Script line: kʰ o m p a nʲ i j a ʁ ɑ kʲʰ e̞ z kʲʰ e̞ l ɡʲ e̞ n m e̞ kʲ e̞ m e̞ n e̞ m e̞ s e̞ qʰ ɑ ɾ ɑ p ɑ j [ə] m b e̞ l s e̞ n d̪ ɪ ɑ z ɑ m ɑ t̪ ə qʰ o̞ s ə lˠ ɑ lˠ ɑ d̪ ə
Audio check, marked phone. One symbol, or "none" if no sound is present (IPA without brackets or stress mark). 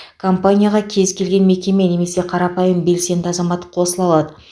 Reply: ə